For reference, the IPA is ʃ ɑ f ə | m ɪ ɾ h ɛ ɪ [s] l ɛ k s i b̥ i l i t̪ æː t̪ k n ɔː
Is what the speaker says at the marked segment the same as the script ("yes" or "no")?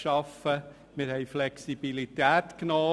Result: no